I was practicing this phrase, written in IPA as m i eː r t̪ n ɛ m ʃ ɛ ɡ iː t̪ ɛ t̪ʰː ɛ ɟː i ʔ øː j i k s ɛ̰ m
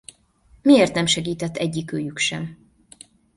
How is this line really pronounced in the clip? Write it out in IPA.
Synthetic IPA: m i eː r t̪ n ɛ m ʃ ɛ ɡ iː t̪ ɛ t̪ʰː ɛ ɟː i k øː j y k ʃ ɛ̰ m